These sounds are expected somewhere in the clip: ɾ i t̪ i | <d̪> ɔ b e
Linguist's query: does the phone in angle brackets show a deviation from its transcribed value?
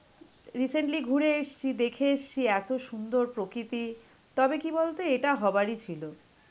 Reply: yes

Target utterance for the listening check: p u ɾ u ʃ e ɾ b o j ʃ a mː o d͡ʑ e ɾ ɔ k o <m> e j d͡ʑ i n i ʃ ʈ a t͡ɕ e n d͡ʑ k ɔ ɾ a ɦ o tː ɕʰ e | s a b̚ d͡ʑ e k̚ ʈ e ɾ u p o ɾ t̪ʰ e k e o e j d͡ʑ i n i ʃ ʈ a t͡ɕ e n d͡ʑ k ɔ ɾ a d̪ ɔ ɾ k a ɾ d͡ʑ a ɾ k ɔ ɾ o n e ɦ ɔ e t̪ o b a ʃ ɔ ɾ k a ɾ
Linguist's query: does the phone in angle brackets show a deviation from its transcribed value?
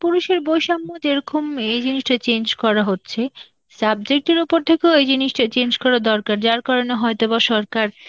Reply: no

